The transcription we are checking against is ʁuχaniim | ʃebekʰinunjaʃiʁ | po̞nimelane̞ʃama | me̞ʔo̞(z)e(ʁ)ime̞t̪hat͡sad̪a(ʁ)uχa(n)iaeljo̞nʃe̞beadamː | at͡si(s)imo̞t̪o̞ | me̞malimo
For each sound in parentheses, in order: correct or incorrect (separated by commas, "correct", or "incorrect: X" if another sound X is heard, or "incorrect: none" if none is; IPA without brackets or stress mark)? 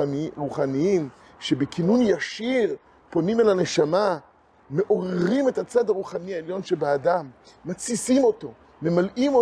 incorrect: ʁ, correct, correct, correct, correct